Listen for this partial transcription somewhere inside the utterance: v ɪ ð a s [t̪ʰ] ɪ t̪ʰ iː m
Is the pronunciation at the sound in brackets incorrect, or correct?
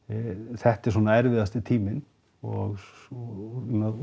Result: incorrect